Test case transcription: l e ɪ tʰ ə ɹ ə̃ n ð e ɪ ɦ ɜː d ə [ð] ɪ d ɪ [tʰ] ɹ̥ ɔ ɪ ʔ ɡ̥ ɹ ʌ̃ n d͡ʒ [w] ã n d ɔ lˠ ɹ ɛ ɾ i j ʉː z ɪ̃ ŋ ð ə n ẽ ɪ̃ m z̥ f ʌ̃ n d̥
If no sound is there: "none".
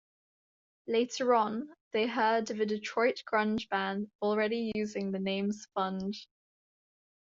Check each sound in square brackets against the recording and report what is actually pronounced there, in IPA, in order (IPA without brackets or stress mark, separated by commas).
v, tʰ, b